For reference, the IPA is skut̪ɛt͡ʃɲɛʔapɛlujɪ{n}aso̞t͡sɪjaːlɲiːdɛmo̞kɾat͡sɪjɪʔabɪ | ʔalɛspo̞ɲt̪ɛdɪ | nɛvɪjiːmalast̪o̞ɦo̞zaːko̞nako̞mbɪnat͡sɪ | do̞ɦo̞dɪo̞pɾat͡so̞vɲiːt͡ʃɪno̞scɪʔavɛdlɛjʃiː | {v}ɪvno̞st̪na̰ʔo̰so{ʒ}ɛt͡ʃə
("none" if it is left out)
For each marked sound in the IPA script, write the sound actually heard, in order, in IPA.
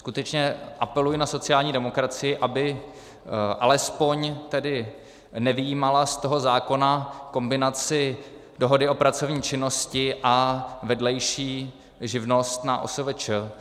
n, ʒ, v

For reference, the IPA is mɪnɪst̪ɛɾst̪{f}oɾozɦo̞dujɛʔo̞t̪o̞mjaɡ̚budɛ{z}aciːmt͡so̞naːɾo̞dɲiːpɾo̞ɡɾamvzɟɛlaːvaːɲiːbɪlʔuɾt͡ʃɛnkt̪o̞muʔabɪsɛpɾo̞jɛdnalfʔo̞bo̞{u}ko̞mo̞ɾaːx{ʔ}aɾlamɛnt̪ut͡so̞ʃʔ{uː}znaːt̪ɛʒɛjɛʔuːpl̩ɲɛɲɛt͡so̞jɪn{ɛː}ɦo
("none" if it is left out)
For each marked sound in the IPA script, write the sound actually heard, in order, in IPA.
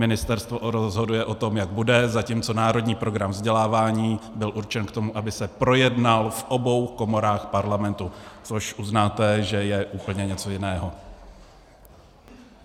v, z, w, p, u, ɛː

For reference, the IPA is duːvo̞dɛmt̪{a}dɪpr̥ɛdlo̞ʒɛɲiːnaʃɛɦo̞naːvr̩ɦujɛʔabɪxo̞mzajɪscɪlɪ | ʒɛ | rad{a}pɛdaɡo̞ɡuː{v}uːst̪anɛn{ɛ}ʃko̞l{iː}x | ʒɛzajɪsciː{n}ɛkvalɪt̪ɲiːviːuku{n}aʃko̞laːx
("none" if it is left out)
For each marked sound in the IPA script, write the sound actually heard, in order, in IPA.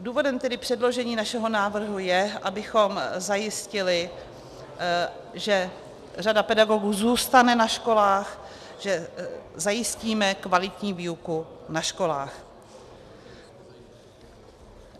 ɛ, a, z, a, aː, m, n

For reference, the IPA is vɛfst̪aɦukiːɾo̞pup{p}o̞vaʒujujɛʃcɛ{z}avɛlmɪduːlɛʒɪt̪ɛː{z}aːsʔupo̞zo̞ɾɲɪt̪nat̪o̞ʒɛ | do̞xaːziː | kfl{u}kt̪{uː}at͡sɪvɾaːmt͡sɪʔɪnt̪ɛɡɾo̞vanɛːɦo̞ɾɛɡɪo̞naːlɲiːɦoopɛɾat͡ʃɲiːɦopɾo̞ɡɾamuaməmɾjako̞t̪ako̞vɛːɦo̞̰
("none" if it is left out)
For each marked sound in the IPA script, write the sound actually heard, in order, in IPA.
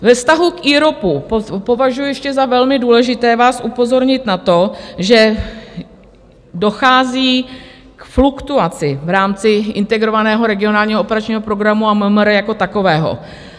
p, z, v, u, u

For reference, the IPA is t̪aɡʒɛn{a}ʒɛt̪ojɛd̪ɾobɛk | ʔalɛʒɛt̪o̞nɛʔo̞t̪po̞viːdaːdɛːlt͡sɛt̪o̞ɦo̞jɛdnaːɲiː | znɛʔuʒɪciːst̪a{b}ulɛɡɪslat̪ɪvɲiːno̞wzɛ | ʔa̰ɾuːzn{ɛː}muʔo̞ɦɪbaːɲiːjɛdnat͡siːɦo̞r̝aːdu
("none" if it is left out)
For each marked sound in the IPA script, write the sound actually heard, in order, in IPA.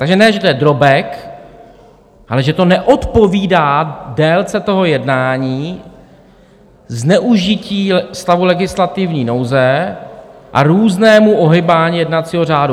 ɛ, v, ɛː

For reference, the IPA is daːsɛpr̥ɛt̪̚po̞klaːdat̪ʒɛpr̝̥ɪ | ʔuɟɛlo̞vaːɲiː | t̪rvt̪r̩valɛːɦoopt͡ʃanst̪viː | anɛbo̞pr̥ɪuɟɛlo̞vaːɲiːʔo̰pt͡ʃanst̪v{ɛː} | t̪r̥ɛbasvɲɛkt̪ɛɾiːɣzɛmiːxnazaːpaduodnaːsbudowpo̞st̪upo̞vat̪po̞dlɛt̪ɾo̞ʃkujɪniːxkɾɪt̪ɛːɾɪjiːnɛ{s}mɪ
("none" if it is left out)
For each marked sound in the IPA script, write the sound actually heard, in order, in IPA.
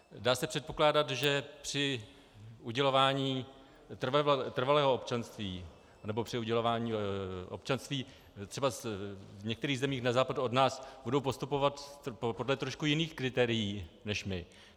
iː, ʃ

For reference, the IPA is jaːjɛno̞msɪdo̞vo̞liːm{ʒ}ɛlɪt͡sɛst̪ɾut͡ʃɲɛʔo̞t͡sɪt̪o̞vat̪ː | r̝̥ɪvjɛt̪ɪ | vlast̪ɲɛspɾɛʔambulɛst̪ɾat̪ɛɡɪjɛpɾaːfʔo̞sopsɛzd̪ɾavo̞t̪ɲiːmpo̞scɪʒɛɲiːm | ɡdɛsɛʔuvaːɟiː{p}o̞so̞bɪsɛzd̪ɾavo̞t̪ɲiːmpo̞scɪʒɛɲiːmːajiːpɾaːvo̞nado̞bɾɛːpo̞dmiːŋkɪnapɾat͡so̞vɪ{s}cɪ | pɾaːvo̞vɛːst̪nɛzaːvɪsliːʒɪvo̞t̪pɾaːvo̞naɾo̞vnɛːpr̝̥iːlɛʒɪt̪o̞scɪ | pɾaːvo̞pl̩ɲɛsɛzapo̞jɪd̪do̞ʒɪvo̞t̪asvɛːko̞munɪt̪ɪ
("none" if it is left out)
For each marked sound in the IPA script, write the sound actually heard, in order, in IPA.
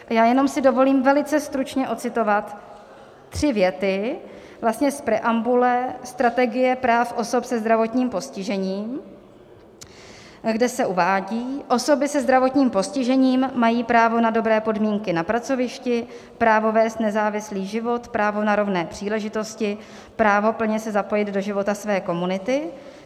v, ʔ, ʃ

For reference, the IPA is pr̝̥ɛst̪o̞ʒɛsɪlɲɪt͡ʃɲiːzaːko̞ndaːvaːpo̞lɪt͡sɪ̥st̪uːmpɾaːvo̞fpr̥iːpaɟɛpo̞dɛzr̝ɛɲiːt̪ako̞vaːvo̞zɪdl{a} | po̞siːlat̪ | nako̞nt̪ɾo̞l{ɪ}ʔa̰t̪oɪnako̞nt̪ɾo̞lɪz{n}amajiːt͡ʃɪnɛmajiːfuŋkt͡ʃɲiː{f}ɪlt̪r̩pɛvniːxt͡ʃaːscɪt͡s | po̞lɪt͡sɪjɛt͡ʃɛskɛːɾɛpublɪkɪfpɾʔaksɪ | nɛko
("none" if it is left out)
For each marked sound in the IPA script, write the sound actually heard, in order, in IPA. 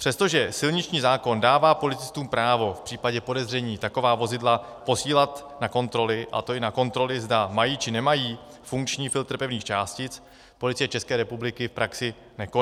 a, ɪ, d, f

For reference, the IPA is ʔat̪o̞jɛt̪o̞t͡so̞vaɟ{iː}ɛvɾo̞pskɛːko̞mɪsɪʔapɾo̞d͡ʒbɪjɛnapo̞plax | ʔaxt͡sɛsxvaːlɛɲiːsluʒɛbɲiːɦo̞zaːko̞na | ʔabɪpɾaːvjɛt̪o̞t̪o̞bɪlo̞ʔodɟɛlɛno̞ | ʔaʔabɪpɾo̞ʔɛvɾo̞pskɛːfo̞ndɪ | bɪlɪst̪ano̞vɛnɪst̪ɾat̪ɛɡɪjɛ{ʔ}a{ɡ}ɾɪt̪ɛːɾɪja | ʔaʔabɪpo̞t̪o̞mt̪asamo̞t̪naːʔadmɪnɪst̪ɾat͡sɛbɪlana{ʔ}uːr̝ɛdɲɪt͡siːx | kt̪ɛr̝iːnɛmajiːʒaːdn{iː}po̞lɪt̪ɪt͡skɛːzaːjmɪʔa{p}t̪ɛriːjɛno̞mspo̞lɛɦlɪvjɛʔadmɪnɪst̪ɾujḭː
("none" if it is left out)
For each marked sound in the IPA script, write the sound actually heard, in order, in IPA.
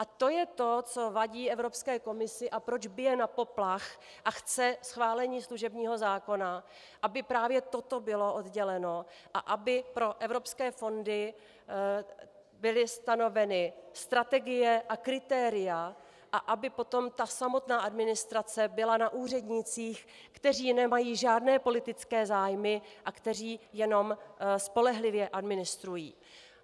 iː, ʔ, k, ʔ, ɛː, k

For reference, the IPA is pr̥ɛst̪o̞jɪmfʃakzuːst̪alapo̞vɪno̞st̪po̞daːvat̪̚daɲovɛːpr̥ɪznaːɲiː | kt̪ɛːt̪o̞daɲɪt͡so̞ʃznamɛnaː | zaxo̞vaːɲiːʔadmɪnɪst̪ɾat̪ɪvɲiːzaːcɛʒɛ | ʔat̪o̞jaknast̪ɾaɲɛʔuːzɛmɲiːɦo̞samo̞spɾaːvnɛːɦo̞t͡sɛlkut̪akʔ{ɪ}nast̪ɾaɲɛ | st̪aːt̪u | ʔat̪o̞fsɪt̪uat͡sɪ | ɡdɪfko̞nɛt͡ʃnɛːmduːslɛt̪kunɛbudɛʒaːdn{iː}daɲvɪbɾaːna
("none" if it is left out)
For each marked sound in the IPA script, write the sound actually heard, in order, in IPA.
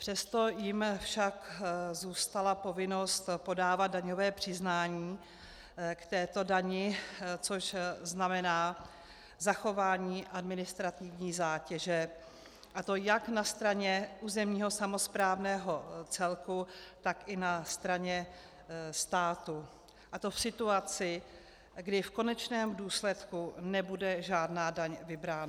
ɪ, aː

